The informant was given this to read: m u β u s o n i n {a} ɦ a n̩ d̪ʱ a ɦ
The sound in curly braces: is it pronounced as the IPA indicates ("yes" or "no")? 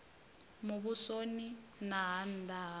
yes